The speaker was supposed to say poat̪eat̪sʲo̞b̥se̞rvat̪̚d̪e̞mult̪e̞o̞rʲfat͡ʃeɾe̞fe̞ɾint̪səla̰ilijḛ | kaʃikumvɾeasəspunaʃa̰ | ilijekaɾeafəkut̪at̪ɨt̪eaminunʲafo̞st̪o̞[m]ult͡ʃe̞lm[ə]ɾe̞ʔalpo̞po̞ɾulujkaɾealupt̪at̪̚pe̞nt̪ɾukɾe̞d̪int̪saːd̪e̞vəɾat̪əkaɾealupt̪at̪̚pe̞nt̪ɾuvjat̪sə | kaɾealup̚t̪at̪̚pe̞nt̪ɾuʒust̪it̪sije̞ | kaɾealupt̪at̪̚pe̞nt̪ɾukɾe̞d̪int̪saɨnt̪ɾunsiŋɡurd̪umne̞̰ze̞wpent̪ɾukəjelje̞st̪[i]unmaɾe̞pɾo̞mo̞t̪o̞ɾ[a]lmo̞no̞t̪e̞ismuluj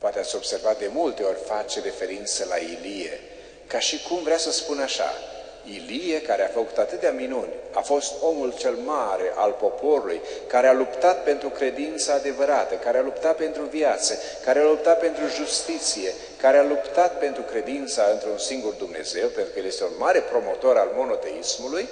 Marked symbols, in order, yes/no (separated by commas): yes, no, no, yes